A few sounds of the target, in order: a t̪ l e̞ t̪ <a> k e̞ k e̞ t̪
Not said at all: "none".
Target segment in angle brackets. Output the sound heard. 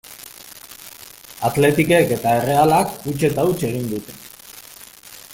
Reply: i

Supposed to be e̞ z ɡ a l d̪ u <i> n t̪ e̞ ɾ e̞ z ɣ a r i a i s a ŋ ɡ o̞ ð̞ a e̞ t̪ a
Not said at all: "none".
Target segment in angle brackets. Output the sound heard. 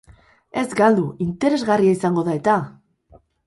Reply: i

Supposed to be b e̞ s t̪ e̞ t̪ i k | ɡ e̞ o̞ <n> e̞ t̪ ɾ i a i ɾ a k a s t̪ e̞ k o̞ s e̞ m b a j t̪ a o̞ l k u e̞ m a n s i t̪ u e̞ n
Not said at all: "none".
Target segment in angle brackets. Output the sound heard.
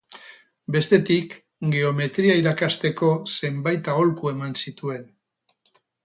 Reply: m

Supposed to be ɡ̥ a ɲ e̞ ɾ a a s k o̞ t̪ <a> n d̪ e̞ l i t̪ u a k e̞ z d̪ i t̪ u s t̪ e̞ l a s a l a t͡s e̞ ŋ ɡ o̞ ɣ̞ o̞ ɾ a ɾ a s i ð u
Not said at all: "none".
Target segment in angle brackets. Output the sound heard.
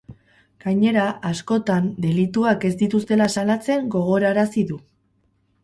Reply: a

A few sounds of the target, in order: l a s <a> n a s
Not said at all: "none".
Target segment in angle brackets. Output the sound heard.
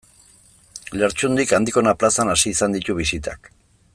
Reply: a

